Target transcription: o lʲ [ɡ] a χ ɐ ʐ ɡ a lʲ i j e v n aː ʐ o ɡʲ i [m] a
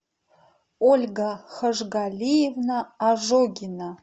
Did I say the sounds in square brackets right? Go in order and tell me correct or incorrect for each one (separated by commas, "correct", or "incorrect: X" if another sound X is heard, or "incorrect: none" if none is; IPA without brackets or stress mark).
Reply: correct, incorrect: n